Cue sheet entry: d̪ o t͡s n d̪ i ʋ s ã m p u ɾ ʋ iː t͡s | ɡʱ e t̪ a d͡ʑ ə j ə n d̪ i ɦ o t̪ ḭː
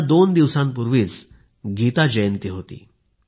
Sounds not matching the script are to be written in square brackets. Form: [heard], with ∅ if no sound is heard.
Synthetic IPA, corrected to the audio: d̪ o [∅] n d̪ i ʋ s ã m p u ɾ ʋ iː t͡s | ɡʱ [i] t̪ a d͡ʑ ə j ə n [t̪] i ɦ o t̪ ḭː